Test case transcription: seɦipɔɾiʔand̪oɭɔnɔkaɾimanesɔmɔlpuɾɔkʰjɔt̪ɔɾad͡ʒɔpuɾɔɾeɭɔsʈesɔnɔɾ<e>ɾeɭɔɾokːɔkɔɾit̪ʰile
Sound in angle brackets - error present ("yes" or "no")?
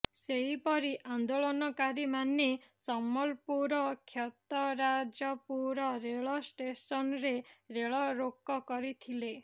no